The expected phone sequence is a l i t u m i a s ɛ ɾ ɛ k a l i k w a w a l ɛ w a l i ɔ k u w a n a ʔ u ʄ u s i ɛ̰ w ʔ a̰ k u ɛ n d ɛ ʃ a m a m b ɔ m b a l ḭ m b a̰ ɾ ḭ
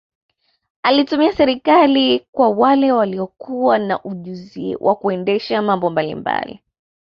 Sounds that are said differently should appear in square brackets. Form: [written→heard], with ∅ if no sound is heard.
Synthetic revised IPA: a l i t u m i a s ɛ ɾ [ɛ→i] k a l i k w a w a l ɛ w a l i ɔ k u w a n a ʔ u ʄ u [s→z] i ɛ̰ w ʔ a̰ k u ɛ n d ɛ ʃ a m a m b ɔ m b a l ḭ m b a̰ [ɾ→l] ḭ